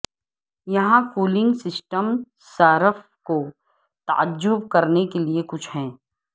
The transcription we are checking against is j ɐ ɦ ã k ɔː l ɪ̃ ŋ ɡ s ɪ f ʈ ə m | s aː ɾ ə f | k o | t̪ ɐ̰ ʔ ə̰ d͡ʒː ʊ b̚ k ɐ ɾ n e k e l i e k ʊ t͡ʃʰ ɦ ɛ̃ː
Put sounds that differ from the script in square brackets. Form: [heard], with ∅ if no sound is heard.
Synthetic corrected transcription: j ɐ ɦ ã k [uː] l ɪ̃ ŋ ɡ s ɪ [s] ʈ ə m | s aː ɾ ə f | k o | t̪ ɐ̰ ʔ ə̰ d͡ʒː ʊ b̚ k ɐ ɾ n e k e l i e k ʊ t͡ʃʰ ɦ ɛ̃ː